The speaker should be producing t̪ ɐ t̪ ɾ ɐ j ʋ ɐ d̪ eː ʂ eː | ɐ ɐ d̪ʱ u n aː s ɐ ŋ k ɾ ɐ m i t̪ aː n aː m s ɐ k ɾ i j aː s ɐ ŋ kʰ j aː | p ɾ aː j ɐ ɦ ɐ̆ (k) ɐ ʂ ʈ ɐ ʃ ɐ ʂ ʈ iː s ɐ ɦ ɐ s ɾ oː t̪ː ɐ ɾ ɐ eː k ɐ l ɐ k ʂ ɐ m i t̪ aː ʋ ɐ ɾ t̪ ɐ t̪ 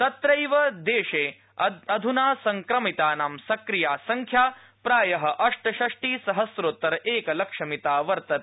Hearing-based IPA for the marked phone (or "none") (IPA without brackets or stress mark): ʔ